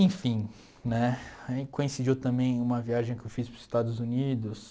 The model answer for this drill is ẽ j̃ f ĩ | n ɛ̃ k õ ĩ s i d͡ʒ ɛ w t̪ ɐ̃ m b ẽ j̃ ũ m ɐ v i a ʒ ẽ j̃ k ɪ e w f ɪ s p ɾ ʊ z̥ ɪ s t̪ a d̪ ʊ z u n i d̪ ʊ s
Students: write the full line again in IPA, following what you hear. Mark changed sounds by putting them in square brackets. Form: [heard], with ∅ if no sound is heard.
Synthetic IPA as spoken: ẽ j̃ f ĩ | n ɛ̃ k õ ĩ s i d͡ʒ [i] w t̪ ɐ̃ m b ẽ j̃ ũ m ɐ v i a ʒ ẽ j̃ k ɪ e w f [i] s p ɾ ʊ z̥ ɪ s t̪ a d̪ ʊ z u n i d̪ ʊ s